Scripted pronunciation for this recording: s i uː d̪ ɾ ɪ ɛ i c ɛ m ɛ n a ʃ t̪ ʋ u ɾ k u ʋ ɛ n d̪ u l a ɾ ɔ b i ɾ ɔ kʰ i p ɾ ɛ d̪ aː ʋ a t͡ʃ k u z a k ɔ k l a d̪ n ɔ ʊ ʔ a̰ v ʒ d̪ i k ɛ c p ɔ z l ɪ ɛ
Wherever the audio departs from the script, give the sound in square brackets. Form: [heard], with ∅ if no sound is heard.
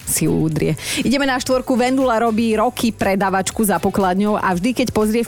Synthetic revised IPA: s i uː d̪ ɾ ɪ ɛ i [ɟ] ɛ m ɛ n a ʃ t̪ ʋ [ɔ] ɾ k u ʋ ɛ n d̪ u l a ɾ ɔ b [iː] ɾ ɔ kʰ i p ɾ ɛ d̪ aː ʋ a t͡ʃ k u z a [p] ɔ k l a d̪ [ɲ] ɔ ʊ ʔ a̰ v ʒ d̪ i k ɛ c p ɔ z [ɾ] ɪ ɛ